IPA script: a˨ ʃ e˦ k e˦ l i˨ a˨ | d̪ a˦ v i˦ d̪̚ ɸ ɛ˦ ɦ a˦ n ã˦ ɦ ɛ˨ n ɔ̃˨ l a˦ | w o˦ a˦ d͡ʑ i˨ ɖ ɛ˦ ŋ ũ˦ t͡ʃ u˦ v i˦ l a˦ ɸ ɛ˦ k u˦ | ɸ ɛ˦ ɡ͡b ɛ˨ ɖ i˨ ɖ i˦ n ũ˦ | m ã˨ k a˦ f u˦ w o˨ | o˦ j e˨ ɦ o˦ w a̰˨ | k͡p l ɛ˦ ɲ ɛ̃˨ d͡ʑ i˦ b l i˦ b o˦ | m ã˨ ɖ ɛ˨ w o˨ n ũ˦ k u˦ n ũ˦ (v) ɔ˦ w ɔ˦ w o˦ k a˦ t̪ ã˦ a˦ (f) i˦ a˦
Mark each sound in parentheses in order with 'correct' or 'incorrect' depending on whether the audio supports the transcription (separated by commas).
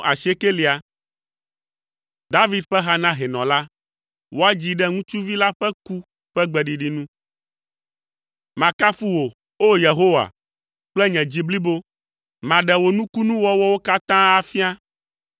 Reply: incorrect, correct